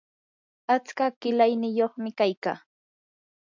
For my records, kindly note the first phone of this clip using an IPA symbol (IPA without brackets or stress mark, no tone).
a